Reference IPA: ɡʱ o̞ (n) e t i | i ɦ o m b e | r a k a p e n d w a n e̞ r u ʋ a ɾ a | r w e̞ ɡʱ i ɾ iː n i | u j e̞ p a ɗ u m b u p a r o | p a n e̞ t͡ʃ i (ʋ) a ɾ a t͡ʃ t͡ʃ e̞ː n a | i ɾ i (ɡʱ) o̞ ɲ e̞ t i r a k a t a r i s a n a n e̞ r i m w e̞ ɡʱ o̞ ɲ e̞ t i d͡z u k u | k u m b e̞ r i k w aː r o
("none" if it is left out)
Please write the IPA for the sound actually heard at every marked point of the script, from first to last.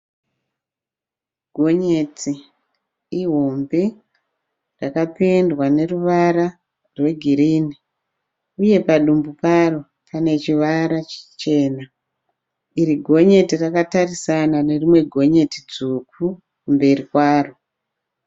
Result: ɲ, ʋ, ɡʱ

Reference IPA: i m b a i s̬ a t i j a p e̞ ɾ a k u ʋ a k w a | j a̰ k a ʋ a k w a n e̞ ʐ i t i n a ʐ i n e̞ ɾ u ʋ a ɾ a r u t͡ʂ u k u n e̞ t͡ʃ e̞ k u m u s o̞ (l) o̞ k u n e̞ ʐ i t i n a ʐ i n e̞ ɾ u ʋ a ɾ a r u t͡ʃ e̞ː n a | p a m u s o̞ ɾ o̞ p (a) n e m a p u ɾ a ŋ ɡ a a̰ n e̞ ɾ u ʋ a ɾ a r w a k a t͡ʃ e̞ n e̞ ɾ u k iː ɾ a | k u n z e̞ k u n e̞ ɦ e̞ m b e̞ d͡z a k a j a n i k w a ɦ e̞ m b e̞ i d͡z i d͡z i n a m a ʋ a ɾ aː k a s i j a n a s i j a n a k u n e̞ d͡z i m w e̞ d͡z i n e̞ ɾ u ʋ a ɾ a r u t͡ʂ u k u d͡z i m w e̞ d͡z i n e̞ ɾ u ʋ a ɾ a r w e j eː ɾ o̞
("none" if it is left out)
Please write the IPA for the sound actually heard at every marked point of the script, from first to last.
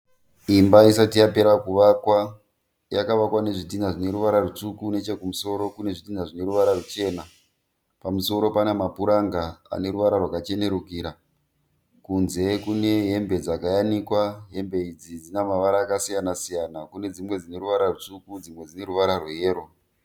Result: ɾ, a

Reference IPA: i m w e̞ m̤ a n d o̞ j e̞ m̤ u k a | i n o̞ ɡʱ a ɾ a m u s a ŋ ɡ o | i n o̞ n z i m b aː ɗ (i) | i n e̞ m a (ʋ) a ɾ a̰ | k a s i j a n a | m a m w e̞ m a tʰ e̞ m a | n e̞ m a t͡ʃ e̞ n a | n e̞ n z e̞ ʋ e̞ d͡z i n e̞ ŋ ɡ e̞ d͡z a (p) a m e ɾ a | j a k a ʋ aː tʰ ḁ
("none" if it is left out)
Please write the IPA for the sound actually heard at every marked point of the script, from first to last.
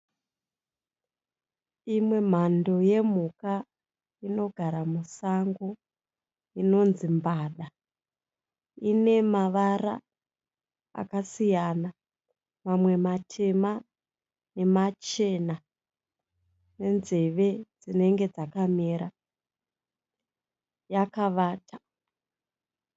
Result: a, ʋ, k

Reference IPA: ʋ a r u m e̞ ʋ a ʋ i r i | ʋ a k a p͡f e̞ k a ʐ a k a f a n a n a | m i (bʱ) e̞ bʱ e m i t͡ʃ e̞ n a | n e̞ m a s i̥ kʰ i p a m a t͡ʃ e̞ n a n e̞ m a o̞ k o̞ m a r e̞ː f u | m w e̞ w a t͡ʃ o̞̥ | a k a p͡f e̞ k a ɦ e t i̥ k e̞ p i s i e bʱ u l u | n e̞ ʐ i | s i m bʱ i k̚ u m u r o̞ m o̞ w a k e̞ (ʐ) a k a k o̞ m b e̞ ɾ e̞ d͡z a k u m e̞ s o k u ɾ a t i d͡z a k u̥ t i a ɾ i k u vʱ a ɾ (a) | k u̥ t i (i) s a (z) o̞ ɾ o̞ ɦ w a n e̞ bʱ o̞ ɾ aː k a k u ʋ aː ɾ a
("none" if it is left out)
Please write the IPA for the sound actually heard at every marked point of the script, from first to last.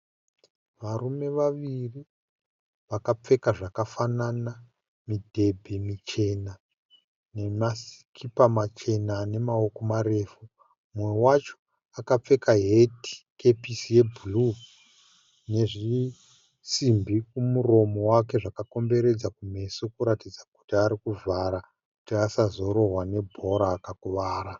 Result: dʱ, ʐ, a, a, z

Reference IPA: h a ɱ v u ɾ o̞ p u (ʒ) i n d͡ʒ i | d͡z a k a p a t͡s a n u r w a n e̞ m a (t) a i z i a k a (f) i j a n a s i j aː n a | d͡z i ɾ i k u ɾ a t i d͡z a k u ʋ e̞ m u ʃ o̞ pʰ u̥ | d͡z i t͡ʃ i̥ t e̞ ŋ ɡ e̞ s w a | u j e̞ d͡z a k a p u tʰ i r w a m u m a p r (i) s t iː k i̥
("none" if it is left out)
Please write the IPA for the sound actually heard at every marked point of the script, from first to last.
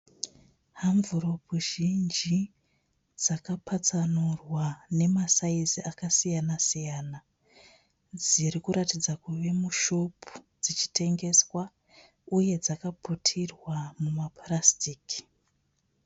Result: ʒ, s, s, a

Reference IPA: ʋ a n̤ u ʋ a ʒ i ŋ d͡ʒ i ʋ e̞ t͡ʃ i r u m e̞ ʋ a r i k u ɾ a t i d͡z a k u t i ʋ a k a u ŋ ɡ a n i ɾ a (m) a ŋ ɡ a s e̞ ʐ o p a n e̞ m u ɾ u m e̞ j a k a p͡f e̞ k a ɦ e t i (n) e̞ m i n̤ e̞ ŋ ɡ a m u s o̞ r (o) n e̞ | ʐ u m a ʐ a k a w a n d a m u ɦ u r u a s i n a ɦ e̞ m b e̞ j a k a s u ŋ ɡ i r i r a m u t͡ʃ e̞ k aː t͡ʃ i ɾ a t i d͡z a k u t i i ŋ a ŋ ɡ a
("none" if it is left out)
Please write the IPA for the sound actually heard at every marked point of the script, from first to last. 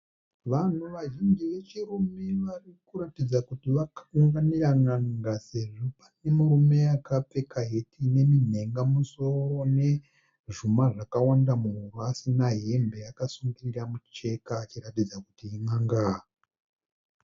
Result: ŋ, n, o

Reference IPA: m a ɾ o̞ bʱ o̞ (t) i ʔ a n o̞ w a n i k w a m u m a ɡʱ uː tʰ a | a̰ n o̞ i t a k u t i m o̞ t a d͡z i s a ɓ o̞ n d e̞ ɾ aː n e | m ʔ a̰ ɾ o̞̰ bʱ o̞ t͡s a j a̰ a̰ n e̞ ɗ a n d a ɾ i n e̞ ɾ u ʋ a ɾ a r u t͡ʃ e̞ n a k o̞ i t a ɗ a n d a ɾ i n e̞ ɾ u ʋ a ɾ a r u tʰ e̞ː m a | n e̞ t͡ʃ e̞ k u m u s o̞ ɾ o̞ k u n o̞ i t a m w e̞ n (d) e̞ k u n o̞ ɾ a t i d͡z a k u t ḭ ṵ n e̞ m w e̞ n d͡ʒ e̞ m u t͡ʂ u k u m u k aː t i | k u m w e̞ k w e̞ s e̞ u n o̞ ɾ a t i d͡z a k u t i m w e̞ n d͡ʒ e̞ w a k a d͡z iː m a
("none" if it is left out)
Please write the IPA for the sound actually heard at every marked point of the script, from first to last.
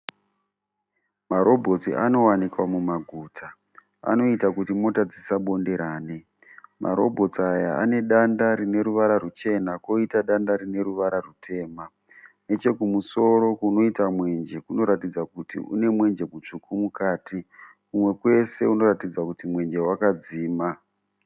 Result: t͡s, d͡ʒ

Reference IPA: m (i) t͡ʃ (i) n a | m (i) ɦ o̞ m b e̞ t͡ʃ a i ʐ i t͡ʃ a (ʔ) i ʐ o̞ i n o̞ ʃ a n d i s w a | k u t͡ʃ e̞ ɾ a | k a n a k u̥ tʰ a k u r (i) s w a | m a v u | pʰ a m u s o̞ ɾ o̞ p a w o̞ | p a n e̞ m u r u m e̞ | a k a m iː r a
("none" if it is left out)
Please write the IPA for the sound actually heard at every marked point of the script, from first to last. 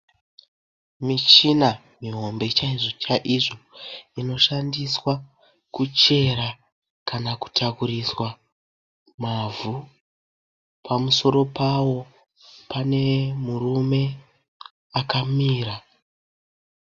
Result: i, i, i, ʔ, i

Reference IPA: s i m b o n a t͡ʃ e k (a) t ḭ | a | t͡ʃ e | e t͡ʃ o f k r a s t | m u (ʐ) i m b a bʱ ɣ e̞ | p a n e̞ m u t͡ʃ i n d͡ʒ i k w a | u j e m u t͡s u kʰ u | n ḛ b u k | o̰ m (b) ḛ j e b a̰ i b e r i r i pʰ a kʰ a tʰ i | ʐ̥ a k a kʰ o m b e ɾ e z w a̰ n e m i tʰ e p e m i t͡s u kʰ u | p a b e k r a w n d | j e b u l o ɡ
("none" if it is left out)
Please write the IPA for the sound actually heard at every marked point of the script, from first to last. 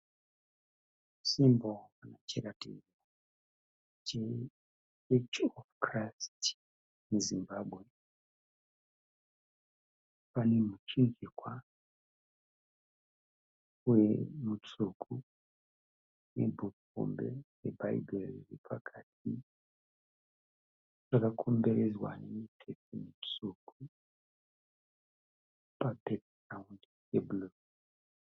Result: a, z, b

